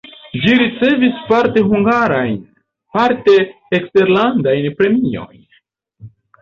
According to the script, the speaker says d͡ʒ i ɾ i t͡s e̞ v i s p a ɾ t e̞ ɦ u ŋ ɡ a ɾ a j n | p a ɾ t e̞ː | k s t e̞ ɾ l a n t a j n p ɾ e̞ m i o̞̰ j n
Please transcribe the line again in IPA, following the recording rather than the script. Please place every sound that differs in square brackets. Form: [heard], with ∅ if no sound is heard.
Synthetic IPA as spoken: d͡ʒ i ɾ i t͡s e̞ v i s p a ɾ t e̞ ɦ u ŋ ɡ a ɾ a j n | p a ɾ t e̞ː | k s t e̞ ɾ l a n [d] a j n p ɾ e̞ m i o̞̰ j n